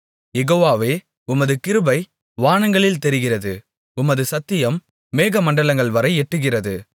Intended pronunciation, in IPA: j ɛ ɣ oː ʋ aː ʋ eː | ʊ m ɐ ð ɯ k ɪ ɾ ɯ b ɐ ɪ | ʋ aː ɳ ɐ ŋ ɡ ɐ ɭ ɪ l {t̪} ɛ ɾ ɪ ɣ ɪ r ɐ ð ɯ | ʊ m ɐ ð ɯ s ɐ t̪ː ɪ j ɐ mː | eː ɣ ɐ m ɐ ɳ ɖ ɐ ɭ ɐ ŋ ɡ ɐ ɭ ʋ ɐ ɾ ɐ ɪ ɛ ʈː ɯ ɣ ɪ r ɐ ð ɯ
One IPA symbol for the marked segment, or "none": t̪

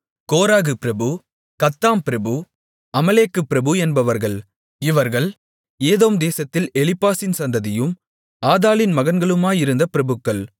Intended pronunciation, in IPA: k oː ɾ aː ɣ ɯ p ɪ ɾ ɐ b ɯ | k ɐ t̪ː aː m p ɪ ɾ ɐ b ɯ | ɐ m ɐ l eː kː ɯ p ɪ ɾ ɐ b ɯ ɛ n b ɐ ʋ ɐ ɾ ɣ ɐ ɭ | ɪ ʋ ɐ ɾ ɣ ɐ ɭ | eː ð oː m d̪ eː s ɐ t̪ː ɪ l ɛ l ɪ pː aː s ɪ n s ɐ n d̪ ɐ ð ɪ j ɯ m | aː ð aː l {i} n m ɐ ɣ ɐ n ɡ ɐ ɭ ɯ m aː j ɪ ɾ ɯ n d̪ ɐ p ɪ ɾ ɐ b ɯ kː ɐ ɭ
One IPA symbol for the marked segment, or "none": ɪ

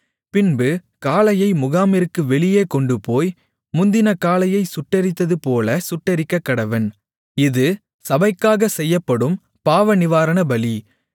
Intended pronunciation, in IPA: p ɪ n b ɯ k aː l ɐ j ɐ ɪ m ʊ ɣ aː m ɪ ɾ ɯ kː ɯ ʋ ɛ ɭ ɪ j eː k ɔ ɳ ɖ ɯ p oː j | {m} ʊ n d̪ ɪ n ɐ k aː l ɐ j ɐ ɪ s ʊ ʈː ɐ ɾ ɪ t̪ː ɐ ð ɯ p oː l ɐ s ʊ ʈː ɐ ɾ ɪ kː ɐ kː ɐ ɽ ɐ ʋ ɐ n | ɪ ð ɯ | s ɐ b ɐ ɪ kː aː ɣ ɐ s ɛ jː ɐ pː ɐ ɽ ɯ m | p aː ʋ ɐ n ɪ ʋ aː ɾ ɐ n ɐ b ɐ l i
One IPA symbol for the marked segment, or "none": m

